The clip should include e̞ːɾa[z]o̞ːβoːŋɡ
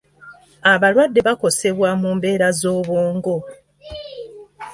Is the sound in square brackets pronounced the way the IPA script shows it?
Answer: yes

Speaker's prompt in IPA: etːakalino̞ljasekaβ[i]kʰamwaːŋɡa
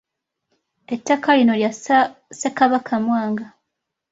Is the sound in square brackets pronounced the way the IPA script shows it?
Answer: no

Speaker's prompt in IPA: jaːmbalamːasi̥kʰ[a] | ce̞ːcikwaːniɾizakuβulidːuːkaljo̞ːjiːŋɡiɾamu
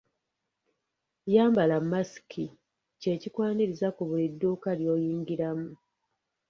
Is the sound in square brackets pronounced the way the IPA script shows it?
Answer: no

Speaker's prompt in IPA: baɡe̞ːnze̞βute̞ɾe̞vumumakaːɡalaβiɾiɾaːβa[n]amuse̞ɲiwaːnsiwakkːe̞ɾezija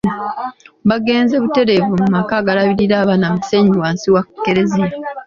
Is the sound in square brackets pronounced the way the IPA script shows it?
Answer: yes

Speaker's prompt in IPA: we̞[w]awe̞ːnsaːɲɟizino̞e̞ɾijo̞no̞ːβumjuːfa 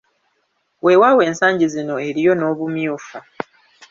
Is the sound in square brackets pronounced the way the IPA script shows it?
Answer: yes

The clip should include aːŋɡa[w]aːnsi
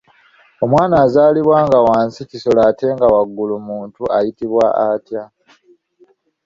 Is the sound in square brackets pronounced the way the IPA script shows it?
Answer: yes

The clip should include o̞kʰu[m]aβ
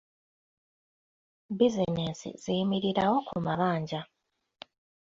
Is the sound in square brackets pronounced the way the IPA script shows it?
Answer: yes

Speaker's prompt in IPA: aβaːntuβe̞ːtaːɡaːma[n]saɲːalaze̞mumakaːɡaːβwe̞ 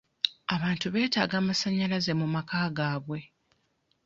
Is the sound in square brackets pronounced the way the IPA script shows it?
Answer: no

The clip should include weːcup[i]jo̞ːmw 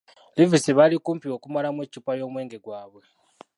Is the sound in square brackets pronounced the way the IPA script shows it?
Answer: no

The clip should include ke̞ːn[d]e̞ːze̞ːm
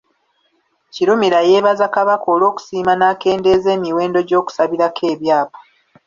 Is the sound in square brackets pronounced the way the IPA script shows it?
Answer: yes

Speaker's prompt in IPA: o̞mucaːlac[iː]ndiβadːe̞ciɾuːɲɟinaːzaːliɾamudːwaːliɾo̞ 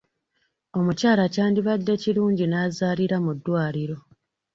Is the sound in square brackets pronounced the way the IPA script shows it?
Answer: no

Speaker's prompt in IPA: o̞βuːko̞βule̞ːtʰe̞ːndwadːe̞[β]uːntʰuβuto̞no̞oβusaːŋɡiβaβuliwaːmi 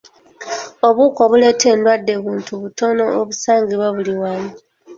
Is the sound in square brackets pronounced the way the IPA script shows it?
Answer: yes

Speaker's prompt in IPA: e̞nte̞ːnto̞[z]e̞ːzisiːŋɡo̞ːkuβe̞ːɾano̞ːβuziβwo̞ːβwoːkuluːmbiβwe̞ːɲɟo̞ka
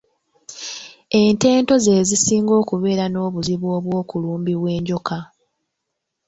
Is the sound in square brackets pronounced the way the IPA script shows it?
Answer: yes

